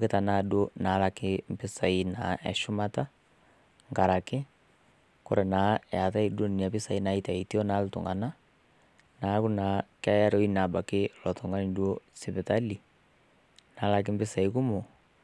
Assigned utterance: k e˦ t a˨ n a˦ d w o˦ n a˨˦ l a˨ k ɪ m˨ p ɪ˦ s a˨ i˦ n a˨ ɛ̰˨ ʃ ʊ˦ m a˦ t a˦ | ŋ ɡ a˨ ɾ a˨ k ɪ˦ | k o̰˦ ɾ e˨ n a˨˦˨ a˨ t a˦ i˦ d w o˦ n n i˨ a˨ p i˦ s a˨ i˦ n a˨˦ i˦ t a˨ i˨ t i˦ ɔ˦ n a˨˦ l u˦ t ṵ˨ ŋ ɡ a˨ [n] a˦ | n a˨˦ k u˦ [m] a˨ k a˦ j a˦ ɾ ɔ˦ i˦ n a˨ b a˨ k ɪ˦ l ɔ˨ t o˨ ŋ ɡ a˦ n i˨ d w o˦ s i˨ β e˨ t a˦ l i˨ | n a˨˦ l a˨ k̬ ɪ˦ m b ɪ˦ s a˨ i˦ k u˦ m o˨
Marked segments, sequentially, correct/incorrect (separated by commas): correct, incorrect